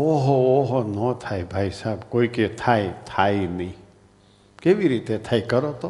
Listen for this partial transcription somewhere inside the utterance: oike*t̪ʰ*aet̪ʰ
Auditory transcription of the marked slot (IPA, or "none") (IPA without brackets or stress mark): t̪ʰ